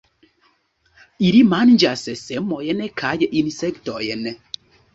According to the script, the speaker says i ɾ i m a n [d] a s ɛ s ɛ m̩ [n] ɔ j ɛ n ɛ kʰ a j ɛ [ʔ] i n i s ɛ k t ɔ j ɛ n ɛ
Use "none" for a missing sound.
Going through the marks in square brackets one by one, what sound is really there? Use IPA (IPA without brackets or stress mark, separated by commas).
d͡ʒ, m, ʔ